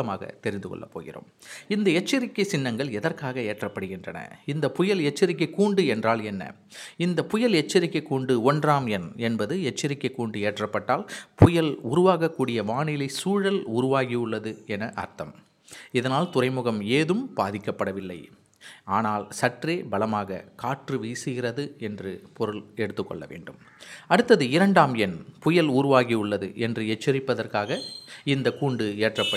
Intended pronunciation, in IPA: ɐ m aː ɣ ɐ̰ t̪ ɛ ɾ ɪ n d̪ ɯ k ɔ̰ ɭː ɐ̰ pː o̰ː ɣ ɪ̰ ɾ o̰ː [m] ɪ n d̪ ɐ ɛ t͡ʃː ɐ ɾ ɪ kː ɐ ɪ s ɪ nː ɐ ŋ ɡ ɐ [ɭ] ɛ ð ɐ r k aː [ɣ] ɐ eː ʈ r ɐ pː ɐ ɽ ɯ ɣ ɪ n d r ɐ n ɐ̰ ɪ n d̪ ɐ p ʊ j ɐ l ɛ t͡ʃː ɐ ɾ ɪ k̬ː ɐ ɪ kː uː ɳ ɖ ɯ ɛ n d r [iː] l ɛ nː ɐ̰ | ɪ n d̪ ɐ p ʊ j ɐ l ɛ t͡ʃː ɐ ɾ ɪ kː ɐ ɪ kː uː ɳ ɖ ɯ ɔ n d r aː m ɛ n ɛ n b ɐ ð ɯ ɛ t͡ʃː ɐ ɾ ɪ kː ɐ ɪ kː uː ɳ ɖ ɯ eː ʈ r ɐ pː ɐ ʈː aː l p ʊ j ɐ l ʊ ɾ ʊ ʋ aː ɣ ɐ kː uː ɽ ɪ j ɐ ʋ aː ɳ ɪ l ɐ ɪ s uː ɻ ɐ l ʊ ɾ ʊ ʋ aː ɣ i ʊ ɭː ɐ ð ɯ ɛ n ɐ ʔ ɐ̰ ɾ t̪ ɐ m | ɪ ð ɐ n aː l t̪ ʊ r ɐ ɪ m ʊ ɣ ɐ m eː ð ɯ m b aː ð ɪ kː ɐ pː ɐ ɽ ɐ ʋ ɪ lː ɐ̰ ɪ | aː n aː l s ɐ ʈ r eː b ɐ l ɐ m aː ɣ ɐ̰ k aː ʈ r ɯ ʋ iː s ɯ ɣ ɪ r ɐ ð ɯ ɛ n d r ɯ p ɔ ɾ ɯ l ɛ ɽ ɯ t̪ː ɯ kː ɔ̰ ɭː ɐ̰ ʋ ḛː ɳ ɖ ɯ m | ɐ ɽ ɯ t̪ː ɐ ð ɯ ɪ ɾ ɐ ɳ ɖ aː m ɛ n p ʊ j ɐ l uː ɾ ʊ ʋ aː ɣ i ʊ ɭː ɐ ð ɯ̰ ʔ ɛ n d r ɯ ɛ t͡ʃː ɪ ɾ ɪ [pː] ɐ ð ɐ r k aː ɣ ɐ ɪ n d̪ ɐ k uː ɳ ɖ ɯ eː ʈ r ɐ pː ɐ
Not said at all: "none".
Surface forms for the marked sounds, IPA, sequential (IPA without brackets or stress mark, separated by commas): m, ɭ, ɣ, aː, pː